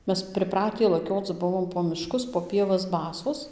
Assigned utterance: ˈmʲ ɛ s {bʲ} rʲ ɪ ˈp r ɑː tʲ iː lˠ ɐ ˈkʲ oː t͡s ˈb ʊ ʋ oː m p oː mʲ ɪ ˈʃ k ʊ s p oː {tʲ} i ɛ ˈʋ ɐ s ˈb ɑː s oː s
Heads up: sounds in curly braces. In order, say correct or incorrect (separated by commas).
incorrect, incorrect